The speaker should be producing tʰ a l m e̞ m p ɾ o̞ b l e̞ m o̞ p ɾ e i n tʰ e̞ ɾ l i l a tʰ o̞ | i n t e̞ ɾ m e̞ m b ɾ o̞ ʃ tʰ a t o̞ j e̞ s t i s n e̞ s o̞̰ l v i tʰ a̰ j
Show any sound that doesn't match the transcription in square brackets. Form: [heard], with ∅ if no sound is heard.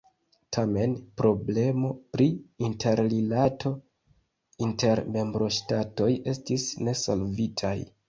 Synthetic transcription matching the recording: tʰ a [∅] m e̞ [n] p ɾ o̞ b l e̞ m o̞ p ɾ [i] i n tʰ e̞ ɾ l i l a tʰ o̞ | i n t e̞ ɾ m e̞ m b ɾ o̞ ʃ [t] a t o̞ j e̞ s t i s n e̞ s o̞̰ l v i tʰ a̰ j